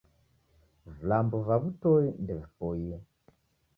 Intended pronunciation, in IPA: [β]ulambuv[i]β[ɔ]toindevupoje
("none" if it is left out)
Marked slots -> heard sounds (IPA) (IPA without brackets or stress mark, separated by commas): v, a, u